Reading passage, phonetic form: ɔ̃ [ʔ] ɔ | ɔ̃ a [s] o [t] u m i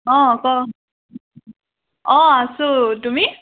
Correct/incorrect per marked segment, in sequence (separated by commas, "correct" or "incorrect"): incorrect, correct, correct